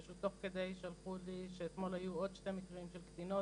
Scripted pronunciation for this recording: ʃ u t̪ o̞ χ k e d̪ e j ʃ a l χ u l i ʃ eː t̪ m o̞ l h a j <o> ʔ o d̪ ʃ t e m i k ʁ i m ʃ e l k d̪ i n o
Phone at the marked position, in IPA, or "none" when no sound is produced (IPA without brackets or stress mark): u